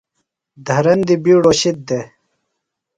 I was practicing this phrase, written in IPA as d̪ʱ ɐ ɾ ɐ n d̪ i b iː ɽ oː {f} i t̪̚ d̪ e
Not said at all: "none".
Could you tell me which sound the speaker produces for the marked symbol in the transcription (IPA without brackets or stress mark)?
ɕ